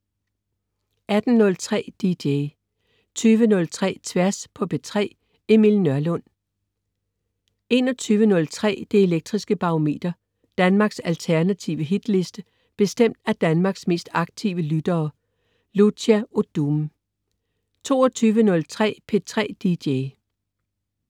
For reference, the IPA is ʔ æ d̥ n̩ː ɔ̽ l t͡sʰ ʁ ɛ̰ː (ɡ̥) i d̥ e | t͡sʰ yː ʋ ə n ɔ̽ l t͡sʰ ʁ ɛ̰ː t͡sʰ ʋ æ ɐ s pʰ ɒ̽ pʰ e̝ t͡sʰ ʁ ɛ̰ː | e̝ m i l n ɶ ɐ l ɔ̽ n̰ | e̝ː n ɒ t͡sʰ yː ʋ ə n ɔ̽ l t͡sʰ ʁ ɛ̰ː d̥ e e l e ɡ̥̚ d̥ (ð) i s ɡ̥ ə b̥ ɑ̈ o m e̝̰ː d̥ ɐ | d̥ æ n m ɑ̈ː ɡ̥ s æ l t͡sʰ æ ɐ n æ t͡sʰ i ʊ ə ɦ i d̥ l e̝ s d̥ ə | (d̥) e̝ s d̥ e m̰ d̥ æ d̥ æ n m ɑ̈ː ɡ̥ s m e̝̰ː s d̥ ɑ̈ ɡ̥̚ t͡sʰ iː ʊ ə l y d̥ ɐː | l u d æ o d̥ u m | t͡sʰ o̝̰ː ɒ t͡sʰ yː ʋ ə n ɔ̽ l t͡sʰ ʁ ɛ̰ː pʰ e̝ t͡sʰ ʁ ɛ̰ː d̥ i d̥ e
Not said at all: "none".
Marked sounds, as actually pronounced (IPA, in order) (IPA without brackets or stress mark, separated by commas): d̥, ʁ, b̥